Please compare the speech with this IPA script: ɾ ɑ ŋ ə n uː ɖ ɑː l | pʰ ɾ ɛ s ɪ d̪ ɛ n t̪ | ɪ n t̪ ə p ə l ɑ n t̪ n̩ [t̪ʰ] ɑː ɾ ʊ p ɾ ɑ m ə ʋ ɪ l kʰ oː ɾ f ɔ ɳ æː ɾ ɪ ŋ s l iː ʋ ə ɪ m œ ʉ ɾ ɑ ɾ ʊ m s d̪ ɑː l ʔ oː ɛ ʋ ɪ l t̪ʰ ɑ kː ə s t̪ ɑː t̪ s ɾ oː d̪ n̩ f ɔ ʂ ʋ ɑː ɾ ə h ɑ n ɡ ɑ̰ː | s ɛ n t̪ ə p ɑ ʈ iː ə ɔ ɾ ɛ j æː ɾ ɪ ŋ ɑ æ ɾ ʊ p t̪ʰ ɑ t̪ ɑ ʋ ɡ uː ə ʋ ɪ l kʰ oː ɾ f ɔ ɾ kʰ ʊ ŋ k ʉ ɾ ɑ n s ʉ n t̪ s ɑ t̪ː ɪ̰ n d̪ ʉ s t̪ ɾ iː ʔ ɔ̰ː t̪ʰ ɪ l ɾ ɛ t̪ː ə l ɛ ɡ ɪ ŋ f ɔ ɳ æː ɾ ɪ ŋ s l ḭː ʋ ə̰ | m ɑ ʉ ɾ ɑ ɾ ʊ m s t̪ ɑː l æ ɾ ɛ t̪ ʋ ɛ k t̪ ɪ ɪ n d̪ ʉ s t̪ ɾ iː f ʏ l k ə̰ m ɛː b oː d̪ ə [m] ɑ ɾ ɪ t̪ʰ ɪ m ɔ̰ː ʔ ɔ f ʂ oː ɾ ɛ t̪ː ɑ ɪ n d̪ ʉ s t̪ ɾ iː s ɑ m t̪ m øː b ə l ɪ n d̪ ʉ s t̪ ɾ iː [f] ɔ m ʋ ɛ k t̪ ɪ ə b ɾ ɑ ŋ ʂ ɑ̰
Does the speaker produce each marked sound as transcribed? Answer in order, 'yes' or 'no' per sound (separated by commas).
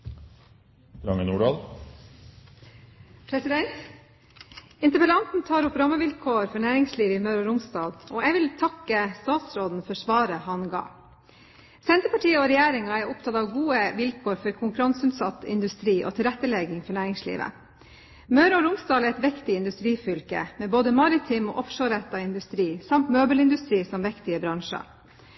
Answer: yes, yes, no